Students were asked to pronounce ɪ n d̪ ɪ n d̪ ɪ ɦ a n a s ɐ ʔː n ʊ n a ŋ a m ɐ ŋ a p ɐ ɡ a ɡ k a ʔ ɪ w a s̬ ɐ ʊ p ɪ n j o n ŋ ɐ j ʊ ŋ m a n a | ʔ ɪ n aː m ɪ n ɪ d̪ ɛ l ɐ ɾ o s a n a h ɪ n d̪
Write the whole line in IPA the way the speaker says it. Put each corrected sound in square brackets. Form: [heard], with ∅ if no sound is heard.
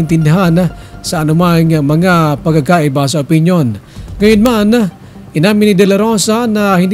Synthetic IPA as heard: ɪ n [t̪] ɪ n d̪ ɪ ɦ a n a s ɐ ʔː n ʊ [m] a ŋ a m ɐ ŋ a p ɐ ɡ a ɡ k a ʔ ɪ [b] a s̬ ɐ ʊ p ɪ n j o n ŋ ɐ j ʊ [n] m a n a | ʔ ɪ n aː m ɪ n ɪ d̪ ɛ l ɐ ɾ o s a n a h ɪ n d̪